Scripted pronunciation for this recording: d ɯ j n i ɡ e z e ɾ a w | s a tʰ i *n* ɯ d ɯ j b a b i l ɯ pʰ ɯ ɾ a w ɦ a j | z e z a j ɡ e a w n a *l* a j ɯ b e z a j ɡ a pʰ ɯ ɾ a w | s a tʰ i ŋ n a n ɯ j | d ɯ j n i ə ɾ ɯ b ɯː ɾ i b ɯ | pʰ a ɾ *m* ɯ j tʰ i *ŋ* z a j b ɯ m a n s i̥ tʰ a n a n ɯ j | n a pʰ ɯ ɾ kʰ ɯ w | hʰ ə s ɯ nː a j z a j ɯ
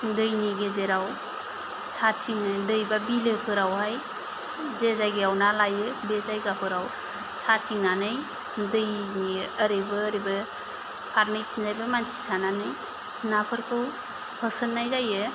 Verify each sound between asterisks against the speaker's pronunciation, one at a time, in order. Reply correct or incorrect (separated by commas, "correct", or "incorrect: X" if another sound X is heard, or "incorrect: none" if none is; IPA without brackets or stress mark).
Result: incorrect: ŋ, correct, incorrect: n, incorrect: n